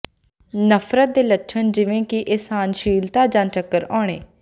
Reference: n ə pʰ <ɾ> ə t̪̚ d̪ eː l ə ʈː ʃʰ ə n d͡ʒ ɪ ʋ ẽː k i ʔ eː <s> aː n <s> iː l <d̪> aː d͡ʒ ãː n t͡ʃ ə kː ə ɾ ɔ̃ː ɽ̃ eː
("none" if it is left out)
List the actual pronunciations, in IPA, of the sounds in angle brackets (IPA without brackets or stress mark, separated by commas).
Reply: ɾ, s, ʃ, t̪